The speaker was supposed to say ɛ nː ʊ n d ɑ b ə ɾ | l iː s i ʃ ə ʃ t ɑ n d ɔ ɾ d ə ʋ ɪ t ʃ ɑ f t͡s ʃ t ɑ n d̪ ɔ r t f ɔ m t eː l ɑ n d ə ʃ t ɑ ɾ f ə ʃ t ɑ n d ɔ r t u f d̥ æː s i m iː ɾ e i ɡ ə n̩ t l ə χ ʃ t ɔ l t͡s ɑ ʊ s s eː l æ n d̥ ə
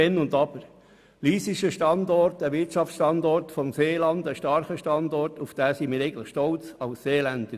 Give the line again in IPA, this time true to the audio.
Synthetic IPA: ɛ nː ʊ n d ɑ b ə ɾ | l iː s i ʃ ə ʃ t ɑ n d ɔ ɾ t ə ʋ ɪ t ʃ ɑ f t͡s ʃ t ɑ n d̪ ɔ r t f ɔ m s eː l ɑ n d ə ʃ t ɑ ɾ χ ə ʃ t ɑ n d ɔ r t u f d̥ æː s i m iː ɾ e ɪ ɡ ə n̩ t l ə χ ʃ t ɔ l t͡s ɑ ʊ s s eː l æ n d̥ ə

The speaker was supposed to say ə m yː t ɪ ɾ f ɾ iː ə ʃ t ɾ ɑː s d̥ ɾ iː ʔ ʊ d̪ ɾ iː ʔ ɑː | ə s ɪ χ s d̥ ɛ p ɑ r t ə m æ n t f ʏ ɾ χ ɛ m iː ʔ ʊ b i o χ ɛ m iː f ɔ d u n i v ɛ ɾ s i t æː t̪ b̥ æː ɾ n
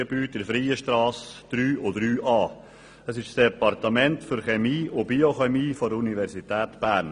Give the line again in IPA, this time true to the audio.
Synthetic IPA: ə b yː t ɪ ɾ f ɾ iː ə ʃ t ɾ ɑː s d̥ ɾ yː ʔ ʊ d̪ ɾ yː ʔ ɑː | ə s ɪ ʃ s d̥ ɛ p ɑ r t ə m ɛ n t f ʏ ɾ χ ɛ m iː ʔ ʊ b i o χ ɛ m iː f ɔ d u n i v ɛ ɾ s i t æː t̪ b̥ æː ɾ n

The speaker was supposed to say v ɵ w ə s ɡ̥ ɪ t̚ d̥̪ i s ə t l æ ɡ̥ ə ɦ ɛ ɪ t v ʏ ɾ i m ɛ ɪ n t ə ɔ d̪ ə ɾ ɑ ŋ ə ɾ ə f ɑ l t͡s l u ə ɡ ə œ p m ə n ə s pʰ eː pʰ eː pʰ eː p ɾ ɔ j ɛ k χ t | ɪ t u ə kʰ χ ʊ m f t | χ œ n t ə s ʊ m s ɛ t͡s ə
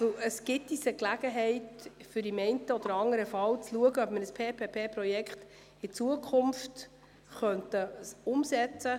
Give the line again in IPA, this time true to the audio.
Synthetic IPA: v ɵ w ə s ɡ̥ ɪ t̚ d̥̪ i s ə k l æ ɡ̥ ə ɦ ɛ ɪ t f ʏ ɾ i m ɛ ɪ n t ə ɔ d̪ ə ɾ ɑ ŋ ə ɾ ə f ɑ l t͡s l u ə ɡ ə œ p m ə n ə s pʰ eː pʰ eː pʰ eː p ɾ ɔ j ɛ k χ t | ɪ t͡s u ə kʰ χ ʊ m f t | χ œ n t ə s ʊ m s ɛ t͡s ə

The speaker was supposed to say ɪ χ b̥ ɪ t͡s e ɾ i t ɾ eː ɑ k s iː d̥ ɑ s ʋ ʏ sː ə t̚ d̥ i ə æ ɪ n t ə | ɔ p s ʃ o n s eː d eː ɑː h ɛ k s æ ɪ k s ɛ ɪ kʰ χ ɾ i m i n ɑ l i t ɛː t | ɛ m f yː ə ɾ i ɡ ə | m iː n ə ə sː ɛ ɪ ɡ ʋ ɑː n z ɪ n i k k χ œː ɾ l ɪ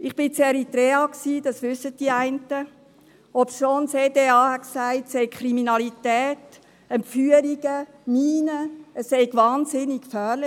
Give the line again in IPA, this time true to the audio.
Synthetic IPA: ɪ χ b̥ ɪ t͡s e ɾ i t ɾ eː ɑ k s iː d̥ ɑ s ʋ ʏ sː ə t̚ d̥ i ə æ ɪ n t ə | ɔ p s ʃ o n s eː d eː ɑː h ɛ k s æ ɪ t s ɛ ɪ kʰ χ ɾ i m i n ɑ l i t ɛː t | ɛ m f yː ə ɾ i ɡ ə | m iː n ə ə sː ɛ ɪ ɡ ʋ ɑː n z ɪ n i k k f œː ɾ l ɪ

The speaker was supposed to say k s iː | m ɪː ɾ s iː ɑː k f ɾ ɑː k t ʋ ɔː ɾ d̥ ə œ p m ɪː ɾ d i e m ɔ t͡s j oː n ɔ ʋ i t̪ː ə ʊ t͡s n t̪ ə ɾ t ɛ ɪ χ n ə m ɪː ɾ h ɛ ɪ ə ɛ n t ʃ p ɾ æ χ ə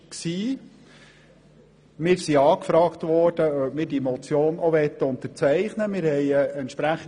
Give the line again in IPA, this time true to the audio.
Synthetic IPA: k s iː | m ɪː ɾ s i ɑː k f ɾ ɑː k t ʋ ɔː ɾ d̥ ə œ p m ɪː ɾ d i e m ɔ t͡s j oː n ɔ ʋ ɛ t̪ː ə ʊ n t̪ ə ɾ t͡s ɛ ɪ χ n ə m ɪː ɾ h ɛ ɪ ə ɛ n t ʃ p ɾ æ χ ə

